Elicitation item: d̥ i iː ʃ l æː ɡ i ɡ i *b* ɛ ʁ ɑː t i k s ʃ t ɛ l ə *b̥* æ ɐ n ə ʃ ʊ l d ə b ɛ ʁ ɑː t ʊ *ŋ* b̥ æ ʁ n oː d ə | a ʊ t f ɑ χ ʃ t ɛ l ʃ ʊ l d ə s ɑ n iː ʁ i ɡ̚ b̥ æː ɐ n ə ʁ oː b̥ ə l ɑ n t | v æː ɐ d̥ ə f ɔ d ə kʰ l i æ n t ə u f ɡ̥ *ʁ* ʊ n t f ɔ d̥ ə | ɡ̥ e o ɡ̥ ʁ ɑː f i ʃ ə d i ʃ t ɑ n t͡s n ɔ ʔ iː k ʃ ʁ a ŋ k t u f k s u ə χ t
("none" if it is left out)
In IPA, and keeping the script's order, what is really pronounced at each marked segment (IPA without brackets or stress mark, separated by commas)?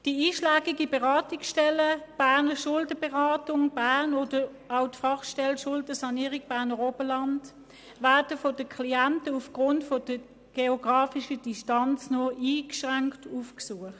b, b̥, ŋ, ʁ